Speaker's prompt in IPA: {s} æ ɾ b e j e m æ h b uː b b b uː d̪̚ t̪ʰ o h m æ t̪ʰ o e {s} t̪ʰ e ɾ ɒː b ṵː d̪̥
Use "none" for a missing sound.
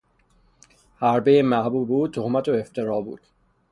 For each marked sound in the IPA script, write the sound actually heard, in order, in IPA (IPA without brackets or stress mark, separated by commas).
h, f